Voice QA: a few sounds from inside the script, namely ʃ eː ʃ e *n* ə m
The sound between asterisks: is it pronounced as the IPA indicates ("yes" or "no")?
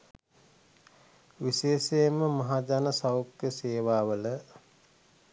no